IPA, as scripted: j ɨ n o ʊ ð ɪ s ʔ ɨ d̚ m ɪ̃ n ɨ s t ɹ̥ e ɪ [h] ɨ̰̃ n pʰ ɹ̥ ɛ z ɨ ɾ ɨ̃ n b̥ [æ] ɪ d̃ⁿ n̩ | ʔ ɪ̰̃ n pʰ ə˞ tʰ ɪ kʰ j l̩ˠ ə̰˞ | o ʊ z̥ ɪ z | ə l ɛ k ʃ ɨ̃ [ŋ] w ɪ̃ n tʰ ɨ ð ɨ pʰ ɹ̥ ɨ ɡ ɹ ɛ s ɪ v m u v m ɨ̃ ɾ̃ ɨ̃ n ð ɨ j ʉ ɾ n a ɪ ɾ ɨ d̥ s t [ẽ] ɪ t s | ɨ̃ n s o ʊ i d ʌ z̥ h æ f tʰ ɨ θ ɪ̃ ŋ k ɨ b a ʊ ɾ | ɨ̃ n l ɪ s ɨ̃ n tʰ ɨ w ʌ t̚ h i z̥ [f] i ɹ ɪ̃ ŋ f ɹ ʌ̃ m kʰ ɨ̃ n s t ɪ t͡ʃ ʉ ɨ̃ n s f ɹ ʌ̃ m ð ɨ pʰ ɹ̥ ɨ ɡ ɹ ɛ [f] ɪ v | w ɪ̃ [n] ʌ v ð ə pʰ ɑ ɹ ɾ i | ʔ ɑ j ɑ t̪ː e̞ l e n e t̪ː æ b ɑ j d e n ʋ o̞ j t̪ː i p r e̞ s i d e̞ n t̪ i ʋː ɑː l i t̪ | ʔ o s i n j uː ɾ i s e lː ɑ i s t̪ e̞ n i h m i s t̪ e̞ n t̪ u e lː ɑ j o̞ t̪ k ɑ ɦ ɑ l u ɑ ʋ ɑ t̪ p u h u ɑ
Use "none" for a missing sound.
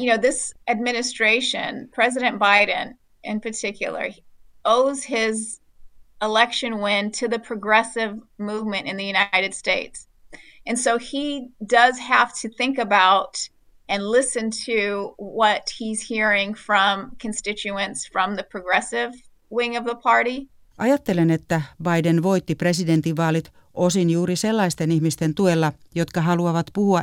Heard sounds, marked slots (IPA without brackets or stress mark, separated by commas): ʃ, a, n, e, h, s, ŋ